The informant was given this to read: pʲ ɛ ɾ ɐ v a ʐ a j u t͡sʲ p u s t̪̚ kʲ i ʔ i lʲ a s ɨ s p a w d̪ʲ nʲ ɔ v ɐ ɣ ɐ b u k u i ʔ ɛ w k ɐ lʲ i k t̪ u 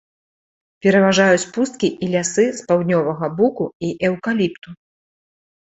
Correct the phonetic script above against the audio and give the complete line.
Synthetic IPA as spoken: pʲ ɛ ɾ ɐ v a ʐ a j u t͡sʲ p u s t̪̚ kʲ i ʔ i lʲ a s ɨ s p a w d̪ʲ nʲ ɔ v ɐ ɣ ɐ b u k u i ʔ ɛ w k a lʲ i p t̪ u

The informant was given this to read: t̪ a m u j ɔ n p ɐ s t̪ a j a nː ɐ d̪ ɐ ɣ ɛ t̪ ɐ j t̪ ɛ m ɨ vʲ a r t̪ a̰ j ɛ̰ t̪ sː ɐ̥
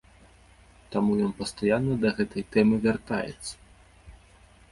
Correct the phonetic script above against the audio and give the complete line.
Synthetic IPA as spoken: t̪ a m u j ɔ n p ɐ s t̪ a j a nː ɐ d̪ ɐ ɣ ɛ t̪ ɐ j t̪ ɛ m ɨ vʲ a r t̪ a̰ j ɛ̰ t̪ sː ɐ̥

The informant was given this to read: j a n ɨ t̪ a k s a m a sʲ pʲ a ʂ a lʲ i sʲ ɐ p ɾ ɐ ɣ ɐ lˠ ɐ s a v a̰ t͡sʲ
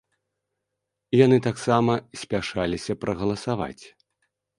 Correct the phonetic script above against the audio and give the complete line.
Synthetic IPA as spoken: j a n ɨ t̪ a k s a m ɐ sʲ pʲ a ʂ a lʲ i sʲ ɐ p ɾ ɐ ɣ ɐ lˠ ɐ s a v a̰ t͡sʲ

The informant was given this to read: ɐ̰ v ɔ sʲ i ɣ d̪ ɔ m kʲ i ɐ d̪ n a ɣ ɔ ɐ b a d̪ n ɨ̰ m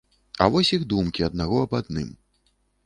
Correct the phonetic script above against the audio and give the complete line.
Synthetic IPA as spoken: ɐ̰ v ɔ sʲ i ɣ d̪ u m kʲ i ɐ d̪ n a ɣ ɔ ɐ b a d̪ n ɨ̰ m

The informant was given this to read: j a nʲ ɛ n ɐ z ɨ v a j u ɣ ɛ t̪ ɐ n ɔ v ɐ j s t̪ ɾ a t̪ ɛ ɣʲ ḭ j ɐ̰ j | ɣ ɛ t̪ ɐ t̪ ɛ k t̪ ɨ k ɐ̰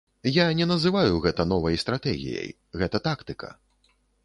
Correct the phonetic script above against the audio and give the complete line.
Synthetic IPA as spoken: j a nʲ ɛ n ɐ z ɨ v a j u ɣ ɛ t̪ ɐ n ɔ v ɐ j s t̪ ɾ a t̪ ɛ ɣʲ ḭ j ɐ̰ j | ɣ ɛ t̪ ɐ t̪ a k t̪ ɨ k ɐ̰

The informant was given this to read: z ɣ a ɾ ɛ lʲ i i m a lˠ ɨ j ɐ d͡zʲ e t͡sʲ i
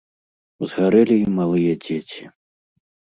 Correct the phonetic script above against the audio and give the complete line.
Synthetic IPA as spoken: z ɣ a ɾ ɛ lʲ i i m a lˠ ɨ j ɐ d͡zʲ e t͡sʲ i

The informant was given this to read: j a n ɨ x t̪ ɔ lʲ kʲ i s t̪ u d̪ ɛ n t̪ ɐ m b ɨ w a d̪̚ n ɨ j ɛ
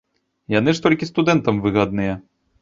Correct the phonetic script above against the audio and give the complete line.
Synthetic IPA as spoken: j a n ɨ ʂ t̪ ɔ lʲ kʲ i s t̪ u d̪ ɛ n t̪ ɐ m v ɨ ɣ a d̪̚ n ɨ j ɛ

